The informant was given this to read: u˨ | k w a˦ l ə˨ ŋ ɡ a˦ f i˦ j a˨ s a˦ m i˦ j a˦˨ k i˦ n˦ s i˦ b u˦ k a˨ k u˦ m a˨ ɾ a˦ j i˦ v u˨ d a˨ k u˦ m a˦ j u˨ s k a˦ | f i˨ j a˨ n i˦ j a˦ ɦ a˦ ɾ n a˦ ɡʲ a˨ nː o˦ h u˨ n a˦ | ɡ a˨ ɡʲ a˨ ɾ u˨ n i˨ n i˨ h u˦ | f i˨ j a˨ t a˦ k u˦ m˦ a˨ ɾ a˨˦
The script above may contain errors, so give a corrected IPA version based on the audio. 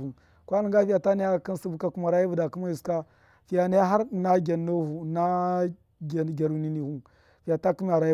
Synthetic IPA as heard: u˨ | k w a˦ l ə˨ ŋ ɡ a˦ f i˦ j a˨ t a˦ n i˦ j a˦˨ k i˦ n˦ s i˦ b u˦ k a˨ k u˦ m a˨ ɾ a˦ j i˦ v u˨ d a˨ k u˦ m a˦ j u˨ s k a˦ | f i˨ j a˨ n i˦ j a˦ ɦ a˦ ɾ n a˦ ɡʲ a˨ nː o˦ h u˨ n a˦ | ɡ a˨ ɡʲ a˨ ɾ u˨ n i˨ n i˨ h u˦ | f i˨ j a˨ t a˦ k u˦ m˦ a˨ ɾ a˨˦